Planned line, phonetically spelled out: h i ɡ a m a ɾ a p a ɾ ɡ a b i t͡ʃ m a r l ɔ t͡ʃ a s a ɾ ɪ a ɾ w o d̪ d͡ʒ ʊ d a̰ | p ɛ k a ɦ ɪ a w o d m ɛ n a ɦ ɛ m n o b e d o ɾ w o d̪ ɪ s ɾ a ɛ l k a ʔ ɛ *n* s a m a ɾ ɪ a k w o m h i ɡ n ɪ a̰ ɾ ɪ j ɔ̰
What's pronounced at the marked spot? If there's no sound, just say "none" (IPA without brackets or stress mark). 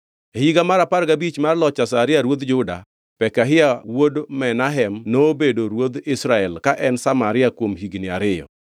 n